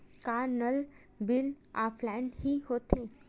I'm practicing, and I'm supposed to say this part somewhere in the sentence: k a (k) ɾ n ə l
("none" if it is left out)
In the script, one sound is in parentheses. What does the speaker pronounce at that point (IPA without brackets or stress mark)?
none